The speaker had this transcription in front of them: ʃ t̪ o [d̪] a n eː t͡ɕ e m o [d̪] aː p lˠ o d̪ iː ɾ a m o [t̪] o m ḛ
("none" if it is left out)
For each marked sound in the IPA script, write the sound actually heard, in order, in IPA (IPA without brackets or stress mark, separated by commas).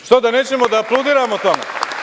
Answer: d̪, d̪, t̪